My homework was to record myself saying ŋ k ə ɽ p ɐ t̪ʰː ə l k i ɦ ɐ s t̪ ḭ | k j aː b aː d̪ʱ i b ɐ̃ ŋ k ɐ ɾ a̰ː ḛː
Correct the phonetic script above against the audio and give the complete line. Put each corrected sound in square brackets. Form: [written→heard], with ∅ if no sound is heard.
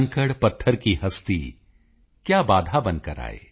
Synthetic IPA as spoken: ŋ k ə ɽ p ɐ t̪ʰː ə [l→ɾ] k i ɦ ɐ s t̪ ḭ | k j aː b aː d̪ʱ [i→a] b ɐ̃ [ŋ→n] k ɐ ɾ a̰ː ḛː